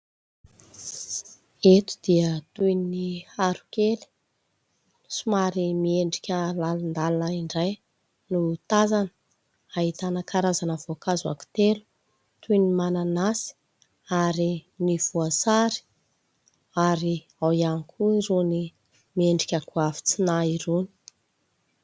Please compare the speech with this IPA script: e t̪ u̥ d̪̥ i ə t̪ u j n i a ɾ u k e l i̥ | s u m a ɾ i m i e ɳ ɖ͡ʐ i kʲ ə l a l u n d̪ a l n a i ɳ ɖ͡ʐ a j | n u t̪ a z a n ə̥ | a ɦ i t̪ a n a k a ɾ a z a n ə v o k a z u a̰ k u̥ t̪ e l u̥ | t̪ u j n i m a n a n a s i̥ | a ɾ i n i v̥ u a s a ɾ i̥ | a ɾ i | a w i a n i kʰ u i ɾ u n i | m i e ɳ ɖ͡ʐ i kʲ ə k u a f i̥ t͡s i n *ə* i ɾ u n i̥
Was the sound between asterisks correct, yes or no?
no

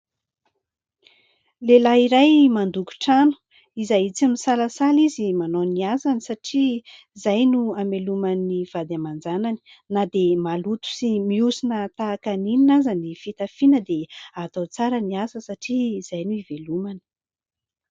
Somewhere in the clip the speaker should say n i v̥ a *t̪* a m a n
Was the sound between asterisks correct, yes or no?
no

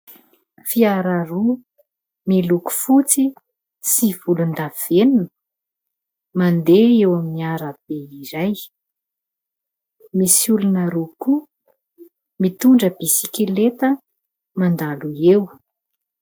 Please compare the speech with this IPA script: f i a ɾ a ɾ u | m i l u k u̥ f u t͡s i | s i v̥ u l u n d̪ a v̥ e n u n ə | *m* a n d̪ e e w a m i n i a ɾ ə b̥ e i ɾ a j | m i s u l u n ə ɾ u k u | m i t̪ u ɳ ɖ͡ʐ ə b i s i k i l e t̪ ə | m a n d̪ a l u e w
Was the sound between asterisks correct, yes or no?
yes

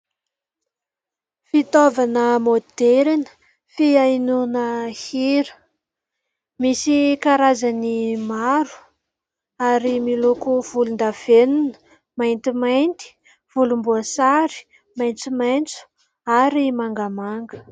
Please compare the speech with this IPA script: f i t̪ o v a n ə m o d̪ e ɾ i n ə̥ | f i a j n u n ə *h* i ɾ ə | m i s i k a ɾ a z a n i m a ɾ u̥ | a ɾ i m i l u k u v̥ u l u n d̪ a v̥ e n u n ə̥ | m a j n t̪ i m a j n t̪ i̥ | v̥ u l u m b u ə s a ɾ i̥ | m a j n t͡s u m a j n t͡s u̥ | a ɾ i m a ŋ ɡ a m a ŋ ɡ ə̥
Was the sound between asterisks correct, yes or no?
yes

